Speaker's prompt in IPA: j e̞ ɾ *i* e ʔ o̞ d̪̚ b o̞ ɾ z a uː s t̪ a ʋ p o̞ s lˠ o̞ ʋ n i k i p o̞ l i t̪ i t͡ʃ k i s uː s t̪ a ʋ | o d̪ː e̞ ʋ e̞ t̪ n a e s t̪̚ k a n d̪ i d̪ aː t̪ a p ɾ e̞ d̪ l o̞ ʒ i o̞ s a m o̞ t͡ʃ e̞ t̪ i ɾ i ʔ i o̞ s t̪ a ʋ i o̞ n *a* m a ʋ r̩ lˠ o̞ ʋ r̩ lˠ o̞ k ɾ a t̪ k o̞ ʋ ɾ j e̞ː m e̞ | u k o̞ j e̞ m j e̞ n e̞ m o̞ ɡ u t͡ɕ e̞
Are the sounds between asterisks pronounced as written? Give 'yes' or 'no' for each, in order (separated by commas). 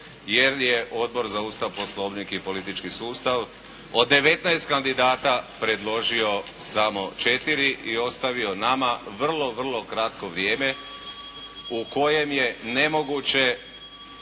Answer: no, yes